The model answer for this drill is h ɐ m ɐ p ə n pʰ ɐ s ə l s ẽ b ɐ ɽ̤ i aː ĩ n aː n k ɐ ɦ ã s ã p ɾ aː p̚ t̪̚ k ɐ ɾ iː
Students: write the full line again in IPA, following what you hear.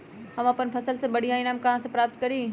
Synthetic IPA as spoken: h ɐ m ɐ p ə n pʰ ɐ s ə l s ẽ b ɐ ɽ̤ i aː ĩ n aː m k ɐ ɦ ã s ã p ɾ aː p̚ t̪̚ k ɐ ɾ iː